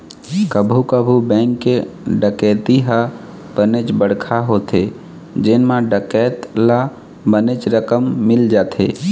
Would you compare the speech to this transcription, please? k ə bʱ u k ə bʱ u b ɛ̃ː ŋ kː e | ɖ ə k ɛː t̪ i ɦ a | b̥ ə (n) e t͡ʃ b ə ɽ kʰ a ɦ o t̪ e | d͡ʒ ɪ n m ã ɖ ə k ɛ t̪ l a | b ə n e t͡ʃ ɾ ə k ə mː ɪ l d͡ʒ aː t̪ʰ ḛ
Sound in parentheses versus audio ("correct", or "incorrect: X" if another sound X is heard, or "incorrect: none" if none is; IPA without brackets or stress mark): correct